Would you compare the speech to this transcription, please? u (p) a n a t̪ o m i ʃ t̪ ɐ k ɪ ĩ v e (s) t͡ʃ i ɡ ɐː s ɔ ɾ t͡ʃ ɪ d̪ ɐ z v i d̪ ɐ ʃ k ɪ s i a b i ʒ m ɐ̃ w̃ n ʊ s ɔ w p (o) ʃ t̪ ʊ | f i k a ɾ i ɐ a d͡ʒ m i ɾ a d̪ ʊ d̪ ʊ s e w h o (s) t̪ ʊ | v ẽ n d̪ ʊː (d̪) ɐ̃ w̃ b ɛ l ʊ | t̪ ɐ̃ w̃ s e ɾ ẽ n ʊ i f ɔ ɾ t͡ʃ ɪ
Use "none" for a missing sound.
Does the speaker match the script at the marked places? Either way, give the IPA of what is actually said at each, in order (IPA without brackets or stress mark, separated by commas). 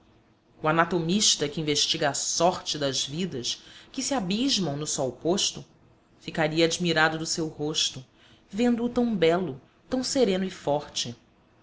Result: none, ʃ, o, ʃ, t̪